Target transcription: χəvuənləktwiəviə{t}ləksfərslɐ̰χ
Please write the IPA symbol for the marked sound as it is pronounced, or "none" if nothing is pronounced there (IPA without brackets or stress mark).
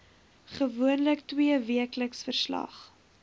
k